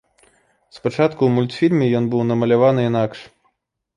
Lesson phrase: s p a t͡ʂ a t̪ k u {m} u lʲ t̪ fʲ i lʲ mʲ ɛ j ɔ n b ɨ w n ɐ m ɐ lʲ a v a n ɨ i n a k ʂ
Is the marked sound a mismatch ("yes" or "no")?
no